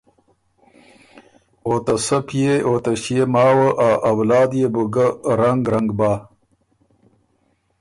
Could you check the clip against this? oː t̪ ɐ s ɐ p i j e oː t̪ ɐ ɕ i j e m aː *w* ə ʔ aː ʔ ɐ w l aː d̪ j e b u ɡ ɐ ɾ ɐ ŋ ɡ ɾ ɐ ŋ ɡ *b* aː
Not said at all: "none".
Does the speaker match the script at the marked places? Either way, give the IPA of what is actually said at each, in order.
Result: w, b

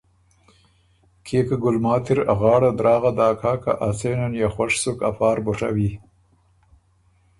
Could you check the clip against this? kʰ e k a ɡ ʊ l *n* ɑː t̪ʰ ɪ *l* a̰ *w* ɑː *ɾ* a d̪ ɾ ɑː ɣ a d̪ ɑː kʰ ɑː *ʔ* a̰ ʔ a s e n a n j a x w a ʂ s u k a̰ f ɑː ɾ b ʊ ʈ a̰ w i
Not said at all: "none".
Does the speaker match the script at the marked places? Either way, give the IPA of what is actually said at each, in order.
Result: m, ɾ, ɣ, ɽ, k

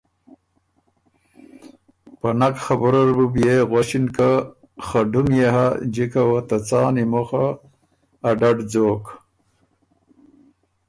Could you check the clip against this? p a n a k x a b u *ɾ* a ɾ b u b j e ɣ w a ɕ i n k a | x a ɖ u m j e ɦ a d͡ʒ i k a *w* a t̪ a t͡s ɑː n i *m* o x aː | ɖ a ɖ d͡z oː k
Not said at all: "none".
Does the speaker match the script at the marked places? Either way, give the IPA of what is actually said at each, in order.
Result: ɾ, w, m

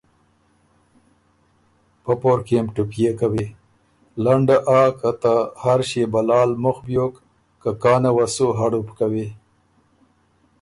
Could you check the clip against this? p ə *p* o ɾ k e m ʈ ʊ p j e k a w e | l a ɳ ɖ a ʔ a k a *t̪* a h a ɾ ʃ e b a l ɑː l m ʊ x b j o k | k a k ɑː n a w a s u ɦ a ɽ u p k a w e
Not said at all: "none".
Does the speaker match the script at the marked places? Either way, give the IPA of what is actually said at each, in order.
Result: p, t̪

